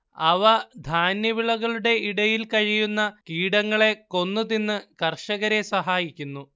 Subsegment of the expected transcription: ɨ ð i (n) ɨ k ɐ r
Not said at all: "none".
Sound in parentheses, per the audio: nː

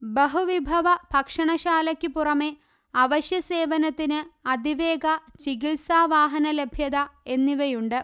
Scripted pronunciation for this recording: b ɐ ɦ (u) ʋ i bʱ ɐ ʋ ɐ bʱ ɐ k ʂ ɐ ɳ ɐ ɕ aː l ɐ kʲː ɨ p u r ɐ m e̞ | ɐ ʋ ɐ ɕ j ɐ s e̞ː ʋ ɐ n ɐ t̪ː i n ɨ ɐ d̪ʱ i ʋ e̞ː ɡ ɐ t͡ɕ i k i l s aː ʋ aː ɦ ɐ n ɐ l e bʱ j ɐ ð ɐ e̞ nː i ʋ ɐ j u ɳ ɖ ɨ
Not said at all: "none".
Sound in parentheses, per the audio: u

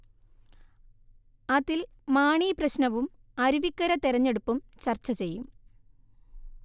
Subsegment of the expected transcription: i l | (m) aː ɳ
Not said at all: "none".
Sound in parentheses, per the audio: m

